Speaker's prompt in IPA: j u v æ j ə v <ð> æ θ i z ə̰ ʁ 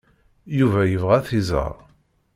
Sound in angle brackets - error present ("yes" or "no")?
yes